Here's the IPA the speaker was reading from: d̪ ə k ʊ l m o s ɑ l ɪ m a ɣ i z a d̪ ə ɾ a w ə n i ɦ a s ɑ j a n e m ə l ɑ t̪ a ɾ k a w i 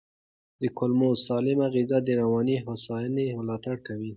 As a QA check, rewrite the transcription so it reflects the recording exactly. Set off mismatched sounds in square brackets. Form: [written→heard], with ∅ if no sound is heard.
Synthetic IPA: d̪ ə k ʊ l m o s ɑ l ɪ m a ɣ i z a d̪ ə ɾ a w [ə→ɑ] n i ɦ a s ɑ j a n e m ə l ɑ t̪ a [ɾ→ɽ] k a w i